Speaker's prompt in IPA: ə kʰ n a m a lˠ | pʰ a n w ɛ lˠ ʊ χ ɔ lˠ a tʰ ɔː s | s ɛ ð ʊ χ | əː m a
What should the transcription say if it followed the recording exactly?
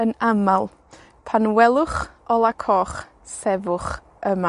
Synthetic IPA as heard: ə n a m a lˠ | pʰ a n w ɛ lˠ ʊ χ ɔ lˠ a kʰ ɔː χ | s ɛ v ʊ χ | ə m a